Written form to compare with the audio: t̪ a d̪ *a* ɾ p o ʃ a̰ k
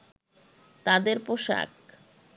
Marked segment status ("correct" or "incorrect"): incorrect